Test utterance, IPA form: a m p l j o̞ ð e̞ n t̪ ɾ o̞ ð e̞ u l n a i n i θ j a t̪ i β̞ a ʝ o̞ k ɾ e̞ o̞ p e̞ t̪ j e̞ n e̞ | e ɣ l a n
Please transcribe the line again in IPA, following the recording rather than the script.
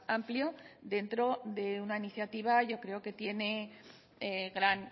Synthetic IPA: a m p l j o̞ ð e̞ n t̪ ɾ o̞ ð e̞ u n a i n i θ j a t̪ i β̞ a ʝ o̞ k ɾ e̞ o̞ k e̞ t̪ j e̞ n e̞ | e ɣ ɾ a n